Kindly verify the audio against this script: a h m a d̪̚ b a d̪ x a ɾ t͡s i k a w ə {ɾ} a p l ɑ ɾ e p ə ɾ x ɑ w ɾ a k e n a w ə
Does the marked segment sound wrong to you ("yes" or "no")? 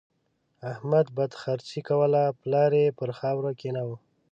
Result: yes